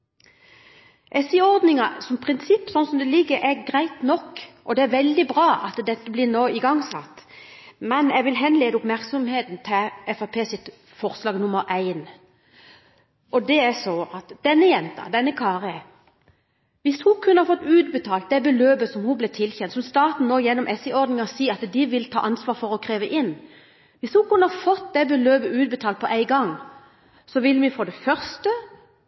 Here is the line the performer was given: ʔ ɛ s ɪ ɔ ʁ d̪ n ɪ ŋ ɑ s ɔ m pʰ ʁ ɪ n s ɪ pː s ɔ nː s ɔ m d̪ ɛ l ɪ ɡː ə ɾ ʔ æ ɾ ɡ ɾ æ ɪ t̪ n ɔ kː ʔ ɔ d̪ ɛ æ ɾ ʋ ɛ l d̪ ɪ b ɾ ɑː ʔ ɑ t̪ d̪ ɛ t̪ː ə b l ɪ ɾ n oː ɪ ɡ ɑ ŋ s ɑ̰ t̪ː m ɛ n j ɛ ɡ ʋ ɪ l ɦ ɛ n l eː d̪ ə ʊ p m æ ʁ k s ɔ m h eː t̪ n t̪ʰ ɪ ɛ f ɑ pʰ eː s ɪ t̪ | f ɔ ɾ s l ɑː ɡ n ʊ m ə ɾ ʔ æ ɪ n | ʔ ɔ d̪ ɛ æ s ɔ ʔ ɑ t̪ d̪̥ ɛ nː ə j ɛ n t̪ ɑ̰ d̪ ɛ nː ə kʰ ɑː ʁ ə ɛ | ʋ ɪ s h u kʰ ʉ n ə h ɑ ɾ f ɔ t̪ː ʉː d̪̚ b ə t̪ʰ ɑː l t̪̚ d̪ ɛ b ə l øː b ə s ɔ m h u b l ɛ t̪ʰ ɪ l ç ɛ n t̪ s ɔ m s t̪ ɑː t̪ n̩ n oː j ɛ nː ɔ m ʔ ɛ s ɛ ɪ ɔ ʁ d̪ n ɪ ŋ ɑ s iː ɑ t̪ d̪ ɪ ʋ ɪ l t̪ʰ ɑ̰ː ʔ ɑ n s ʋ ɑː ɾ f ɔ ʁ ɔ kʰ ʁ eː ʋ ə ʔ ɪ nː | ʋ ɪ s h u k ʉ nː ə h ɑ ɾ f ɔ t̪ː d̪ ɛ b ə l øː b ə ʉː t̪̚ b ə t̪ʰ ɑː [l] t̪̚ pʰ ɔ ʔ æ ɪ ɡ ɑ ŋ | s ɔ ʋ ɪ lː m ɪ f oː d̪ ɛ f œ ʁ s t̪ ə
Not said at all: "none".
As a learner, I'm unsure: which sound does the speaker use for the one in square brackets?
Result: l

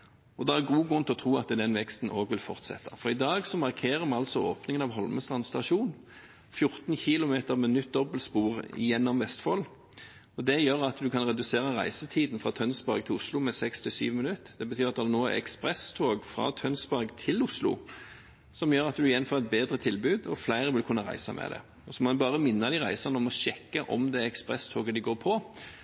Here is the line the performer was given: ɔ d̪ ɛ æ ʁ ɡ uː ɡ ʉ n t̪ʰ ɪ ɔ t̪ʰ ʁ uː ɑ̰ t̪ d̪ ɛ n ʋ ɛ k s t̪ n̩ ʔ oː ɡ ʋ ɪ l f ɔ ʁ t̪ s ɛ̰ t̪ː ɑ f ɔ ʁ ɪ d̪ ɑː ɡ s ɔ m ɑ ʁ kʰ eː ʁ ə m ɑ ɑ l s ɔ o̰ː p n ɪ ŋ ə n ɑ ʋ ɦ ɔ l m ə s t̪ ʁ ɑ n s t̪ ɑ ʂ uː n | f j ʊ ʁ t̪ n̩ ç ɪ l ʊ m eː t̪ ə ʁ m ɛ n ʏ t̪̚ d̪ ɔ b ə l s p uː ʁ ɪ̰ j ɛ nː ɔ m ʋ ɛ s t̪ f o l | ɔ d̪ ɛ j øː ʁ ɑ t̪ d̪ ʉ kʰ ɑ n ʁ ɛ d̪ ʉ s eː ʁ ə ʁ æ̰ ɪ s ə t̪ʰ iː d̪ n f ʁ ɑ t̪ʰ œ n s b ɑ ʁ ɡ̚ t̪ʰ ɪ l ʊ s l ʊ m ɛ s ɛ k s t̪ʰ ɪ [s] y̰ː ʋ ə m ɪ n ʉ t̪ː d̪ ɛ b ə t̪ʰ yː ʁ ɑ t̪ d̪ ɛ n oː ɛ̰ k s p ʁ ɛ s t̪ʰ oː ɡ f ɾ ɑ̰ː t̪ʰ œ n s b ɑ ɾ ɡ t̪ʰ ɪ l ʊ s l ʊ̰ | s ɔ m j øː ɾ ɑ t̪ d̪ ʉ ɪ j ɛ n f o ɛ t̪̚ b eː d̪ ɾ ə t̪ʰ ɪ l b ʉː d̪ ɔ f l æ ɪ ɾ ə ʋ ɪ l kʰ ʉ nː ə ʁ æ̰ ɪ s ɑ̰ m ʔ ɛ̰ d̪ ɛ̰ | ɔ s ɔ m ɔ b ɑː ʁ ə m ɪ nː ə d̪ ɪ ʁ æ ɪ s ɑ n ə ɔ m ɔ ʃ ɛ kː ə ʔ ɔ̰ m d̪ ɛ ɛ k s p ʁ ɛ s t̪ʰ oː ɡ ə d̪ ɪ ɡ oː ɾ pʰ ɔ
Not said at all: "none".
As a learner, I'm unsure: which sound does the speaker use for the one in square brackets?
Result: s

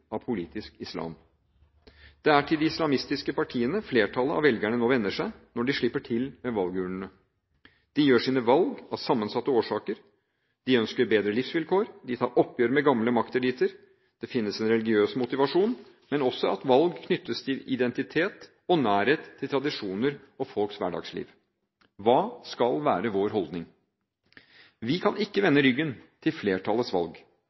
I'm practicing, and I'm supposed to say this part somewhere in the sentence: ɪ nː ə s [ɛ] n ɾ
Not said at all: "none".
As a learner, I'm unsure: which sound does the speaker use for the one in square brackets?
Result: ɛ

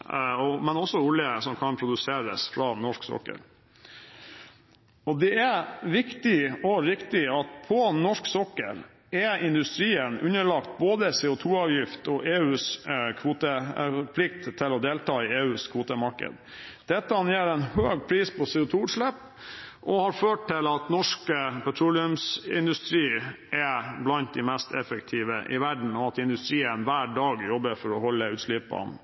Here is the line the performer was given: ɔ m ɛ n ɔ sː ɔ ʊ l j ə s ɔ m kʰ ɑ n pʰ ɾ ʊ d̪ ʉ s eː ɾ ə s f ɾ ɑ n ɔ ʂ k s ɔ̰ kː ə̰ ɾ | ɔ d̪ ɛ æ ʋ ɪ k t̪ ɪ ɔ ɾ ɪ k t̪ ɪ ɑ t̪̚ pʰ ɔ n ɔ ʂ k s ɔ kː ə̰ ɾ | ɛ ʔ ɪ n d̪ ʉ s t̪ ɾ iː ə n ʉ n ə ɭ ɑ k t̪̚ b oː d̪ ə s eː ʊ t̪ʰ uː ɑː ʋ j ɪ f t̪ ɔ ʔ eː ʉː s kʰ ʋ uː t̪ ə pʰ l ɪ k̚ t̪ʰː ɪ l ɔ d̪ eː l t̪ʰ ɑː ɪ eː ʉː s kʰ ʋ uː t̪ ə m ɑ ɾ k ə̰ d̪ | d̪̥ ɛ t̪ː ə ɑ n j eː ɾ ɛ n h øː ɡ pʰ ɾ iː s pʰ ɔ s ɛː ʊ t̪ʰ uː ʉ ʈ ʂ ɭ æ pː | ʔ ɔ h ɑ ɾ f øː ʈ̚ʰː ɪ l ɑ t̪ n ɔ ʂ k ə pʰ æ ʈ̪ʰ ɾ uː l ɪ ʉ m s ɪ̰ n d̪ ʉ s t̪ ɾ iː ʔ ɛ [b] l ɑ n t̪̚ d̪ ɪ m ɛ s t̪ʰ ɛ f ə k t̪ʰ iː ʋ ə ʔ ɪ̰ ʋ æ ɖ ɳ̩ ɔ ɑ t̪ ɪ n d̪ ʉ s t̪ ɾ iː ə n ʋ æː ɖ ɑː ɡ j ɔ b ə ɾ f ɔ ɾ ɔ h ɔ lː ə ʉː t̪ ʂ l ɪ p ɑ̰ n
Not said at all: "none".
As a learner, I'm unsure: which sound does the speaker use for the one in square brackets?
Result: b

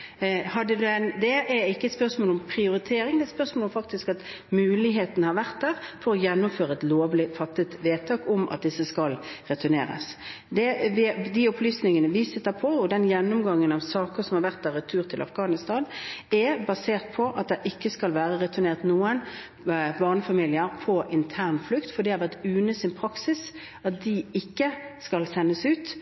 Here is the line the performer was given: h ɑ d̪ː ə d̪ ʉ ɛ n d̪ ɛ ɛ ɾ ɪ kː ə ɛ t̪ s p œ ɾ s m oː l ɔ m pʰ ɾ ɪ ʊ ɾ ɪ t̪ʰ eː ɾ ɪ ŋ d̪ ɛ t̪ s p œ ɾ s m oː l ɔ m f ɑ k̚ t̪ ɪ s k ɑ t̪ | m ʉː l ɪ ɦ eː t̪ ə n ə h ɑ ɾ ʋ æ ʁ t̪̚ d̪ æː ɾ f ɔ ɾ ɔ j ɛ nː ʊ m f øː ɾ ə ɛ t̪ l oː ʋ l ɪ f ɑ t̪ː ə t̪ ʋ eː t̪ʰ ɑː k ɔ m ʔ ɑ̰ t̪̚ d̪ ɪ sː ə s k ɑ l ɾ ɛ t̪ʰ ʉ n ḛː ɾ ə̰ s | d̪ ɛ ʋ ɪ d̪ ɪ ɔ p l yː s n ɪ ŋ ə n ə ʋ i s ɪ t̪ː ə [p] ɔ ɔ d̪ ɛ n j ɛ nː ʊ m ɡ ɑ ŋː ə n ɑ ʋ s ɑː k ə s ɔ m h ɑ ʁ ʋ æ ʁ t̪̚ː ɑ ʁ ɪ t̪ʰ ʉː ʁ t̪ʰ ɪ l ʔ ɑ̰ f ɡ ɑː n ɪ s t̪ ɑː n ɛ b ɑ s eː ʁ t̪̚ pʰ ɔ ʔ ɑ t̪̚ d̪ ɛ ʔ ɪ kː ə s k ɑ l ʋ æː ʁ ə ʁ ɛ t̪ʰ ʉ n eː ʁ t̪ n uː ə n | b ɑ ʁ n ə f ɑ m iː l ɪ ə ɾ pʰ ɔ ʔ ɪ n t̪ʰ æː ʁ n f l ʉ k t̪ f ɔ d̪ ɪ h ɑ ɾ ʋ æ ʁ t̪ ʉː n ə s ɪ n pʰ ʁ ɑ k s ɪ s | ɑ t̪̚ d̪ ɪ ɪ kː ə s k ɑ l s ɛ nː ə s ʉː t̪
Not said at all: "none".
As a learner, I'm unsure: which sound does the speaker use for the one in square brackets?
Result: pʰ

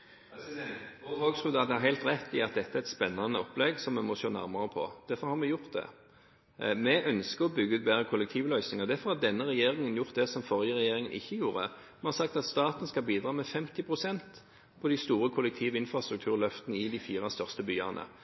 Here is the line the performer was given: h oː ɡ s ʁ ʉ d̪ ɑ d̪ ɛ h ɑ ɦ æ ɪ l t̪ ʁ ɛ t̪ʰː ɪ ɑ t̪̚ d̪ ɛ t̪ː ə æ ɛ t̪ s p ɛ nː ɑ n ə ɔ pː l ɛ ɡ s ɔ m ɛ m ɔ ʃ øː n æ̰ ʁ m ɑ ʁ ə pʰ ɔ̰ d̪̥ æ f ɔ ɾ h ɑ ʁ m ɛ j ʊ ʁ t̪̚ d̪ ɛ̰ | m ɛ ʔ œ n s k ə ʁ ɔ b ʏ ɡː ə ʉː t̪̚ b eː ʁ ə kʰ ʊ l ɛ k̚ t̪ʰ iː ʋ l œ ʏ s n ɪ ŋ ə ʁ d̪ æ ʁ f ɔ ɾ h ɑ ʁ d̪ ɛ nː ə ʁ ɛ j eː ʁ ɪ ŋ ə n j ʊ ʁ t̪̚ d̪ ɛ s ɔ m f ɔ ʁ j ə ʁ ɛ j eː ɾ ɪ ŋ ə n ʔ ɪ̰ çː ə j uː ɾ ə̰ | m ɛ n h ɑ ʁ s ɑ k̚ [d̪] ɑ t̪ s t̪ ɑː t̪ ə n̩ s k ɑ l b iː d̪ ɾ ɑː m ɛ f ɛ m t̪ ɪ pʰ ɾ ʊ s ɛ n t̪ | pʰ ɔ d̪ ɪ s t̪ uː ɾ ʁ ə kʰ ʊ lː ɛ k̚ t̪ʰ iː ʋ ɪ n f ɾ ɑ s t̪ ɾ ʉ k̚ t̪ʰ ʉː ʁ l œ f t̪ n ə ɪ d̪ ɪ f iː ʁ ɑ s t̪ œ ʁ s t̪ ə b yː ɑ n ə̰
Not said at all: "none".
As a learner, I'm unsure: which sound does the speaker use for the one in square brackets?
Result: t̪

